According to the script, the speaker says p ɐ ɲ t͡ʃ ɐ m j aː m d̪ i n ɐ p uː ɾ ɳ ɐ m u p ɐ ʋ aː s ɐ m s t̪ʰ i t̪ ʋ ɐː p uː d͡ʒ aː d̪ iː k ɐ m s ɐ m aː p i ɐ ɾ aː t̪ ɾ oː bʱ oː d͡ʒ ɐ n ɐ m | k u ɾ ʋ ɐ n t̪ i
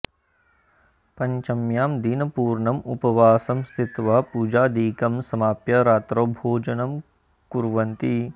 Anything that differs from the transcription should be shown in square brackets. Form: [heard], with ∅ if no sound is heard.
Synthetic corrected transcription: p ɐ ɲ t͡ʃ ɐ m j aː m d̪ i n ɐ p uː ɾ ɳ ɐ m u p ɐ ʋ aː s ɐ m s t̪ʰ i t̪ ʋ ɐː p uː d͡ʒ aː d̪ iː k ɐ m s ɐ m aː p [j] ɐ ɾ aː t̪ ɾ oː bʱ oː d͡ʒ ɐ n ɐ m | k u ɾ ʋ ɐ n t̪ i